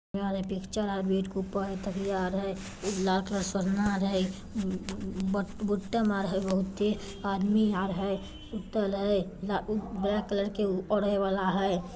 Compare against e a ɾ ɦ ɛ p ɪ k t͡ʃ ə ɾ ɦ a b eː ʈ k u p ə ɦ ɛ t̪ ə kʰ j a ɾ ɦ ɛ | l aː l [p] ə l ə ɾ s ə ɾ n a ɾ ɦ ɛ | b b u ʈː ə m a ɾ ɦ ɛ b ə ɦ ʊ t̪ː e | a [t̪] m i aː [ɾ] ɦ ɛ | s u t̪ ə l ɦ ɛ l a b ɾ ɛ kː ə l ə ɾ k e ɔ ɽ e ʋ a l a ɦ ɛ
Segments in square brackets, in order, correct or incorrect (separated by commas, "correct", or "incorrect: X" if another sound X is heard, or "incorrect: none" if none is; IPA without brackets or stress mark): incorrect: k, incorrect: d̪, correct